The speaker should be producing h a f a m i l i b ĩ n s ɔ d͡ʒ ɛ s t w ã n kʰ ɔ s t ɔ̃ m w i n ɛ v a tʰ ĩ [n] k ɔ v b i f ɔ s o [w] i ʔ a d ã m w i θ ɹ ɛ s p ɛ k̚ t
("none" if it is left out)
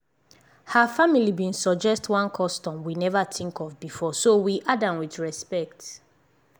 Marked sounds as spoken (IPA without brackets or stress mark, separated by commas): ŋ, w